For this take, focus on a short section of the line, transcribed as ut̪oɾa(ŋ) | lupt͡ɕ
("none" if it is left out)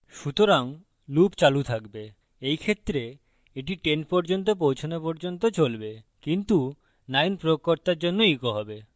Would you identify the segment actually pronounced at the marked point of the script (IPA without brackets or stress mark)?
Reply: ŋ